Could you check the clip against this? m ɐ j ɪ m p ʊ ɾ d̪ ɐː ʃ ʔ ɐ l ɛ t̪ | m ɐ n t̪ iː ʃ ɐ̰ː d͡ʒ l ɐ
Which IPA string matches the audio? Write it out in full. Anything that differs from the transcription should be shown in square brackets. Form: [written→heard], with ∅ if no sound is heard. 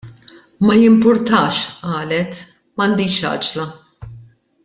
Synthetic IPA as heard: m ɐ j ɪ m p ʊ ɾ [d̪→t̪] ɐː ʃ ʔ [ɐ→ɐː] l ɛ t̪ | m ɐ n [t̪→d̪] iː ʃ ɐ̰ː d͡ʒ l ɐ